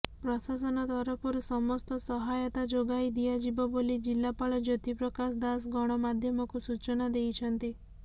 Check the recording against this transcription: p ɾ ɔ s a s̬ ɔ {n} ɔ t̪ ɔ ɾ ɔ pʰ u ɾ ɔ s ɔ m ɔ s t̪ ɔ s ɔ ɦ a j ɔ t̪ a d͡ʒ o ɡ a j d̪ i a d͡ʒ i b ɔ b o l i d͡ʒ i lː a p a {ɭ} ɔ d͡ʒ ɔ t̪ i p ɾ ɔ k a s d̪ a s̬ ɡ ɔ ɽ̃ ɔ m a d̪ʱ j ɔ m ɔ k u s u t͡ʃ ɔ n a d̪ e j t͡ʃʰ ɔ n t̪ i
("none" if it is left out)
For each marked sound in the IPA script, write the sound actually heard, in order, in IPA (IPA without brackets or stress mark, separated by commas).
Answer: n, ɭ